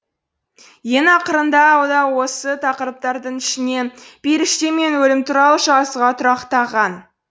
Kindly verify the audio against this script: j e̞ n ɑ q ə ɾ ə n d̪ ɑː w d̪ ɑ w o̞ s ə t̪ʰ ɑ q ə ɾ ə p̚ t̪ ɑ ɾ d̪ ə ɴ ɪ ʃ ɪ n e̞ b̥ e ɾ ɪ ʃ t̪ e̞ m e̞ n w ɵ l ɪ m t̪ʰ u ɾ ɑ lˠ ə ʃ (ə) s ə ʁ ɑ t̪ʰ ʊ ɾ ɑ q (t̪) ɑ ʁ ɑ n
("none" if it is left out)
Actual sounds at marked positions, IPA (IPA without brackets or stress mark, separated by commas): ɑ, t̪